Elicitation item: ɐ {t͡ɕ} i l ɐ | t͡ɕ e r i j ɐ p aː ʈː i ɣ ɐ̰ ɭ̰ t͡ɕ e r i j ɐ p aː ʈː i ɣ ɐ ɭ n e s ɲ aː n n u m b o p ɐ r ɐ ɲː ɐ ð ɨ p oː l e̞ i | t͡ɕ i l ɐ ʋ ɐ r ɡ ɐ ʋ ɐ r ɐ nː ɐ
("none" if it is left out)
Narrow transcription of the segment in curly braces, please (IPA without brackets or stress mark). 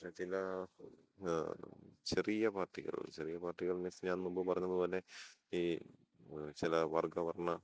t͡ɕ